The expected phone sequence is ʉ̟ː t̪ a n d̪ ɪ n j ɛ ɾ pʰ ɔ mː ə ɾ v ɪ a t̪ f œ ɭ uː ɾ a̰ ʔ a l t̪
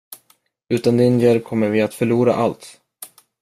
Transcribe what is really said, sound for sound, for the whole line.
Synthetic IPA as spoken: ʉ̟ː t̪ a n d̪ ɪ n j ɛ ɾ kʰ ɔ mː ə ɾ v ɪ a t̪ f œ ɭ uː ɾ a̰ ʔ a l t̪